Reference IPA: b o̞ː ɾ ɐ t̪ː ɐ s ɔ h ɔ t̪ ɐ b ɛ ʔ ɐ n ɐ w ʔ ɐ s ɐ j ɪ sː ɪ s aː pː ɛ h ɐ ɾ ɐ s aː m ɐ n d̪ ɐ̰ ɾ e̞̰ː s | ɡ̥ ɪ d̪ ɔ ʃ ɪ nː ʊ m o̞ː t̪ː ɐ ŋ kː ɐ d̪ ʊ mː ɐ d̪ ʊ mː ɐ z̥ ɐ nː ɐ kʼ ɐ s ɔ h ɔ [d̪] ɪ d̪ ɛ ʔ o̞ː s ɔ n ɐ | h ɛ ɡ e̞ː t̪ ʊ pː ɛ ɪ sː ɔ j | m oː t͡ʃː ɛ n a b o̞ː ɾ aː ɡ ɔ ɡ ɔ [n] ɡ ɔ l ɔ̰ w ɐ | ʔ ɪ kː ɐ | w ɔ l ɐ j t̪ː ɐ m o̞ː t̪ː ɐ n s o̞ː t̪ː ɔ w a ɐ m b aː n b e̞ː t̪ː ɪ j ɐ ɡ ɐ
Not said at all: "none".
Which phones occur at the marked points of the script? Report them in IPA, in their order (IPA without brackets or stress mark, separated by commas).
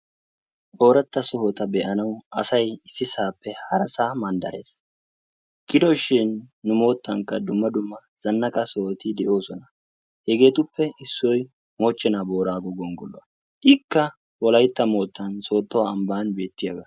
t̪, ŋ